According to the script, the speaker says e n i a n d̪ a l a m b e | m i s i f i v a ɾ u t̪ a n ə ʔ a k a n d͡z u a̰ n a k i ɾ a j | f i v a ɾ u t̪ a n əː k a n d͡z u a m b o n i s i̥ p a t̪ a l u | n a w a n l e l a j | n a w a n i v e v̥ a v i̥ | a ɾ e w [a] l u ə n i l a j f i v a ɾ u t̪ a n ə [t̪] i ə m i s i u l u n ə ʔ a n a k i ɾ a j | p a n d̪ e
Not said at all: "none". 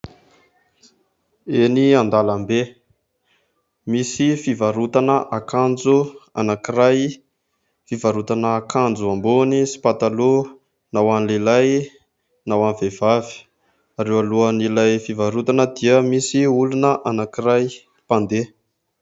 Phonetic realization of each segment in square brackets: a, d̪

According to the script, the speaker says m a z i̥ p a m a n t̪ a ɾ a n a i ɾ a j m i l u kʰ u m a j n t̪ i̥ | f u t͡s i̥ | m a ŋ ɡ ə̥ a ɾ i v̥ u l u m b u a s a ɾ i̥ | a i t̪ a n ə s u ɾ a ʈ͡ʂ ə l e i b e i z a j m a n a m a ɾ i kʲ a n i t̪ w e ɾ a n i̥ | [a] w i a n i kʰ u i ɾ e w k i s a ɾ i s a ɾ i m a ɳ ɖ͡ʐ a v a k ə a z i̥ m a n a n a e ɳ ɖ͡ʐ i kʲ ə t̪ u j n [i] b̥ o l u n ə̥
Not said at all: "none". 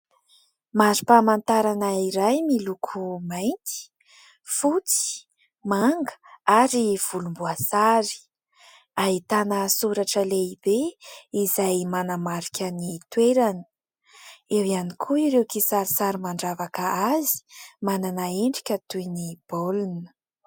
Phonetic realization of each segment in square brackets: e, i

